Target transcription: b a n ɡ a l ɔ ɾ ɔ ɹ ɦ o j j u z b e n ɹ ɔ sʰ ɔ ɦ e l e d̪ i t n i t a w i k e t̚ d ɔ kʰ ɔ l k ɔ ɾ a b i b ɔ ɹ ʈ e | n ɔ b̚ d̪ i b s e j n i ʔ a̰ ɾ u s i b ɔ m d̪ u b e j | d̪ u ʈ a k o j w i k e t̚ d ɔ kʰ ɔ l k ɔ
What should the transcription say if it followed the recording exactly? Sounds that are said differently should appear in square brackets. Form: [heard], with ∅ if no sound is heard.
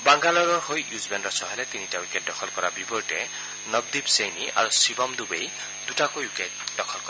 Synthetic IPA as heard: b a [ŋ] ɡ a l ɔ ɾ ɔ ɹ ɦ o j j u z b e n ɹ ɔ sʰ ɔ ɦ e l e [t̪] i [∅] n i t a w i k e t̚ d ɔ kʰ ɔ l k ɔ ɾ a b i b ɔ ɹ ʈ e | n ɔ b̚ d̪ i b s e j n i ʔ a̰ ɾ u s i b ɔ m d̪ u b e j | d̪ u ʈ a k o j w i k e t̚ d ɔ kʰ ɔ l k ɔ